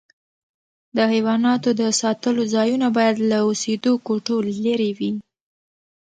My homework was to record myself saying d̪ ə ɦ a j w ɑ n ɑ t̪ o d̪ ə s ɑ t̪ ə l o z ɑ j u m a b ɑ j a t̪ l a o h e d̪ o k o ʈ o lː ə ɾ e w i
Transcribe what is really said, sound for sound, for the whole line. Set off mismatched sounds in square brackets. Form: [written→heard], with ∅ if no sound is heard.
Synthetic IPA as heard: d̪ ə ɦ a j w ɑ n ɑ t̪ o d̪ ə s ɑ t̪ ə l o z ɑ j u [m→n] a b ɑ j a [t̪→d̪] l a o [h→s] e d̪ o k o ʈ o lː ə ɾ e w i